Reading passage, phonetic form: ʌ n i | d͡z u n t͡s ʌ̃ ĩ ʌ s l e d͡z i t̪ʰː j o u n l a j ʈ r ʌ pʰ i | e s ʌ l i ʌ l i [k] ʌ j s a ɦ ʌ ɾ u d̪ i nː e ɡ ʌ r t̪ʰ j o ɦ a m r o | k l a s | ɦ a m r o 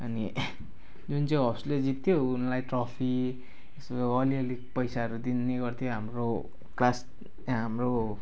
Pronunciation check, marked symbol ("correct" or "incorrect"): incorrect